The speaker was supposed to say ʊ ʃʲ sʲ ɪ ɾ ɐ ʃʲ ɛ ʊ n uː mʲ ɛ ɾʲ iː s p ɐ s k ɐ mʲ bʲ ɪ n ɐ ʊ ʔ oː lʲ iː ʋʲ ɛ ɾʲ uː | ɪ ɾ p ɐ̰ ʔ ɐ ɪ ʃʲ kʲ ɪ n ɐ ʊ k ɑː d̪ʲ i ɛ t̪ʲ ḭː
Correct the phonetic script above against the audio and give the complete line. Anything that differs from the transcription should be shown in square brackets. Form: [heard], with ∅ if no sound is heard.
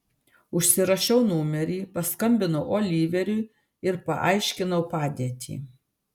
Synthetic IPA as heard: ʊ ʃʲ sʲ ɪ ɾ ɐ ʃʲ ɛ ʊ n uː mʲ ɛ ɾʲ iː [∅] p ɐ s k ɐ mʲ bʲ ɪ n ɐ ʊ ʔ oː lʲ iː ʋʲ ɛ ɾʲ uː | ɪ ɾ p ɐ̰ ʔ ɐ ɪ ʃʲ kʲ ɪ n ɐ ʊ [p] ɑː d̪ʲ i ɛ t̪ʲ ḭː

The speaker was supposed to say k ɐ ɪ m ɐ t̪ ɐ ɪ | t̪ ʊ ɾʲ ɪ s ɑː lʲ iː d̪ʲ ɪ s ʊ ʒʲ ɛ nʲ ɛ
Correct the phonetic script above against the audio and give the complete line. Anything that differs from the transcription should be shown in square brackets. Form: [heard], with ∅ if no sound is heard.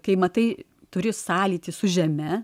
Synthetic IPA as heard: k ɐ ɪ m ɐ t̪ ɐ ɪ | t̪ ʊ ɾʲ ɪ s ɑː lʲ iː [t̪ʲ] ɪ s ʊ ʒʲ ɛ [mʲ] ɛ

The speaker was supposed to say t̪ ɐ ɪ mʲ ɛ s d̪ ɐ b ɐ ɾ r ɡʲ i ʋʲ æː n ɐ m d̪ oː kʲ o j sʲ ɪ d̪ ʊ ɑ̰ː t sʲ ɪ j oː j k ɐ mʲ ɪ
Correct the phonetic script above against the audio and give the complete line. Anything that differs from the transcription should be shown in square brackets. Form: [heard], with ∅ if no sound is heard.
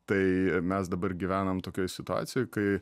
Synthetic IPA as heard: t̪ ɐ ɪ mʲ ɛ s d̪ ɐ b ɐ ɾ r ɡʲ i ʋʲ æː n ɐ m [t̪] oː kʲ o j sʲ ɪ [t̪] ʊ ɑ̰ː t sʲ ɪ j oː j k ɐ [∅] ɪ

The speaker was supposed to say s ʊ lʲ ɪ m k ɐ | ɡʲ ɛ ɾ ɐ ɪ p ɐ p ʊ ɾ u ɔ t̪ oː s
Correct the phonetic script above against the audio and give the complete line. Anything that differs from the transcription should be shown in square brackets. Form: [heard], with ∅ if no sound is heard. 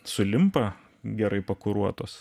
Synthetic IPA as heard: s ʊ lʲ ɪ m [p] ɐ | ɡʲ ɛ ɾ ɐ ɪ p ɐ [k] ʊ ɾ u ɔ t̪ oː s

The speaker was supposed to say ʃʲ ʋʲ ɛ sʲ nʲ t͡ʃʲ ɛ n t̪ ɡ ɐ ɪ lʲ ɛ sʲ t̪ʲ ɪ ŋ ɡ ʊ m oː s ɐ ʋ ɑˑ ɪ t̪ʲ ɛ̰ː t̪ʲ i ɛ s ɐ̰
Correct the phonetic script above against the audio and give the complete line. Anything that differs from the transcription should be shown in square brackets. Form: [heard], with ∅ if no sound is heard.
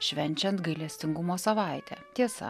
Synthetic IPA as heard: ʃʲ ʋʲ ɛ [∅] nʲ t͡ʃʲ ɛ n t̪ ɡ ɐ ɪ lʲ ɛ sʲ t̪ʲ ɪ ŋ ɡ ʊ m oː s ɐ ʋ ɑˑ ɪ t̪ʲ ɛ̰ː t̪ʲ i ɛ s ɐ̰

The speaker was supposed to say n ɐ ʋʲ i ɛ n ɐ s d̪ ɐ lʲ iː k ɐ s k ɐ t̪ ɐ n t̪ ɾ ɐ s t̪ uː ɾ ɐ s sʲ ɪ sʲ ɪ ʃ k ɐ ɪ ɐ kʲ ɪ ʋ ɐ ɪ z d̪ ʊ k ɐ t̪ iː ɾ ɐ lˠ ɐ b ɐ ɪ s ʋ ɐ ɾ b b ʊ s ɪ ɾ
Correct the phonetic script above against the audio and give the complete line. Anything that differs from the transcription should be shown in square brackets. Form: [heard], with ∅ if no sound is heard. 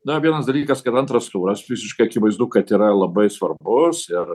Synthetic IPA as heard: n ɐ ʋʲ i ɛ n ɐ s d̪ ɐ lʲ iː k ɐ s k ɐ t̪ ɐ n t̪ ɾ ɐ s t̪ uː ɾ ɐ s [fʲ] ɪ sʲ ɪ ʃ k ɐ ɪ ɐ kʲ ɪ ʋ ɐ ɪ z d̪ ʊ k ɐ t̪ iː ɾ ɐ lˠ ɐ b ɐ ɪ s ʋ ɐ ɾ b b ʊ s ɪ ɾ

